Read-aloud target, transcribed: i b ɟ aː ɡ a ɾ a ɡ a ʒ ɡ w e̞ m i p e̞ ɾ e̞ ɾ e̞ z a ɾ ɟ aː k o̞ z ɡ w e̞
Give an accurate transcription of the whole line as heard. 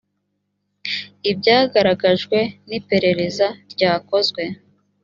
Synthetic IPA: i b ɟ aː ɡ a ɾ a ɡ a ʒ ɡ w e̞ n i p e̞ ɾ e̞ ɾ e̞ z a ɾ ɟ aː k o̞ z ɡ w e̞

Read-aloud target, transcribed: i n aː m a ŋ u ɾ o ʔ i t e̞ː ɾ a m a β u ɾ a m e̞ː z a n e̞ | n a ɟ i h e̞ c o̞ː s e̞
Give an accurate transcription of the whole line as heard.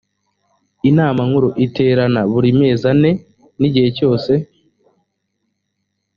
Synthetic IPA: i n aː m a ŋ u ɾ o ʔ i t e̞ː ɾ a n a β u ɾ i m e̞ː z a n e̞ | n i ɟ i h e̞ c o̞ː s e̞

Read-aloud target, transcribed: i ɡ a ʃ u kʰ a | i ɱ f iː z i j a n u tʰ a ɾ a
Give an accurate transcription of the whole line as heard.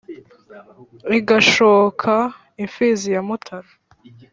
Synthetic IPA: i ɡ a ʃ o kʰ a | i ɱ f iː z i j a m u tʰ a ɾ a

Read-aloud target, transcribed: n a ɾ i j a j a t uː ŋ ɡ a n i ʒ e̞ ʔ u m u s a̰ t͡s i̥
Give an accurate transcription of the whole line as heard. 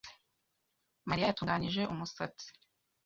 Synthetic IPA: m a ɾ i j a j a t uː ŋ ɡ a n i ʒ e̞ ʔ u m u s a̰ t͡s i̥

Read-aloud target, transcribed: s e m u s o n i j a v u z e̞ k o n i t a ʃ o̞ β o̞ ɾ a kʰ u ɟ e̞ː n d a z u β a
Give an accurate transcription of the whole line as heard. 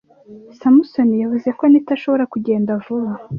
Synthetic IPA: s a m u s o n i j a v u z e̞ k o n i t a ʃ o̞ β o̞ ɾ a k u ɟ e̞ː n d a v u β a

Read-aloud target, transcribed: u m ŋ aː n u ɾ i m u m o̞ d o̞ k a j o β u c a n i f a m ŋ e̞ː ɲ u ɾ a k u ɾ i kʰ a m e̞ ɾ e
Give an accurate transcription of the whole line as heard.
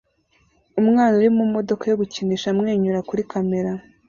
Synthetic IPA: u m ŋ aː n u ɾ i m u m o̞ d o̞ k a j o β u c i n i ʃ a m ŋ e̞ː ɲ u ɾ a k u ɾ i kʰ a m e̞ ɾ a

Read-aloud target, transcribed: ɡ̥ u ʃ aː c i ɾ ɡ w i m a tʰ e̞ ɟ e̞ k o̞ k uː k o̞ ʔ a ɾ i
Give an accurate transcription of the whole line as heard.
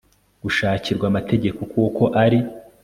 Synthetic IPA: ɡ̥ u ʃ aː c i ɾ ɡ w a m a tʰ e̞ ɟ e̞ k o̞ k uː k o̞ ʔ a ɾ i

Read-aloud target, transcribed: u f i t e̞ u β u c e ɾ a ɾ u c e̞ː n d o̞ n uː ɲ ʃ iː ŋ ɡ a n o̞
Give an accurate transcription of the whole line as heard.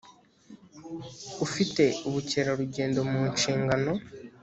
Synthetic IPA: u f i t e̞ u β u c e ɾ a ɾ u ɟ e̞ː n d o̞ m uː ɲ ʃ iː ŋ ɡ a n o̞

